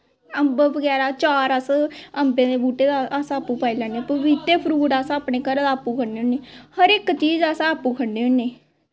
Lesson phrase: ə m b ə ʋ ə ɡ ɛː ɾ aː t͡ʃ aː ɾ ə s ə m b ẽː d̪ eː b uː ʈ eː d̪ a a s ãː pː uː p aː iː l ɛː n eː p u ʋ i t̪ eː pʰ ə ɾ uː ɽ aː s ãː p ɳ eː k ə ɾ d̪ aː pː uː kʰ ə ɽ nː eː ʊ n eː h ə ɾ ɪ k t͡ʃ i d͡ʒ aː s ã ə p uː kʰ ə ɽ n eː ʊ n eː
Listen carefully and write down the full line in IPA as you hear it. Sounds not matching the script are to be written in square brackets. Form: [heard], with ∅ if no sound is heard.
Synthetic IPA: ə m b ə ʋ ə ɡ ɛː ɾ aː t͡ʃ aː ɾ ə s ə m b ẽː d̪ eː b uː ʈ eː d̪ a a s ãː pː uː p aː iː l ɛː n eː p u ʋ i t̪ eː pʰ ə ɾ uː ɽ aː s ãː p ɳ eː k ə ɾ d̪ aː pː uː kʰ ə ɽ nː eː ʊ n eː h ə ɾ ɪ k t͡ʃ [iː] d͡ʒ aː s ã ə p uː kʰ ə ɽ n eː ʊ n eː